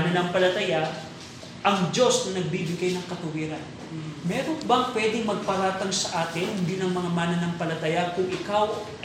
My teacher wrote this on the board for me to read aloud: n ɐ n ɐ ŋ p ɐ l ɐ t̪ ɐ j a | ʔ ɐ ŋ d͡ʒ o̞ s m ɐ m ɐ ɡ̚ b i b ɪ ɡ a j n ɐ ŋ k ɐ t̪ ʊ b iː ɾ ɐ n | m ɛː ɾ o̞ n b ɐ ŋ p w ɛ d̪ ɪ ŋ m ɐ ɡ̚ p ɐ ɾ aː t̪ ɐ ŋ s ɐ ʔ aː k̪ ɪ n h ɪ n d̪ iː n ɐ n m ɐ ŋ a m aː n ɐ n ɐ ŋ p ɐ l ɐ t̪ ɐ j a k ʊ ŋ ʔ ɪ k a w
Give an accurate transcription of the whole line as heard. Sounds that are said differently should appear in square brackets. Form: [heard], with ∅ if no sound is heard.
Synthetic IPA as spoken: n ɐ n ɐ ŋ p ɐ l ɐ t̪ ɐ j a | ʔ ɐ ŋ d͡ʒ o̞ s [n] ɐ [n] ɐ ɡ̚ b i b ɪ ɡ a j n ɐ ŋ k ɐ t̪ ʊ [w] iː ɾ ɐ n | m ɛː ɾ o̞ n b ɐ ŋ p w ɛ d̪ ɪ ŋ m ɐ ɡ̚ p ɐ ɾ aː t̪ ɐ ŋ s ɐ ʔ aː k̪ ɪ n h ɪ n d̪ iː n ɐ [ŋ] m ɐ ŋ a m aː n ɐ n ɐ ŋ p ɐ l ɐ t̪ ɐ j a k ʊ ŋ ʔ ɪ k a w